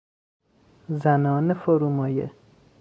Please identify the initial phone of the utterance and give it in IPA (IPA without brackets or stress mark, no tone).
z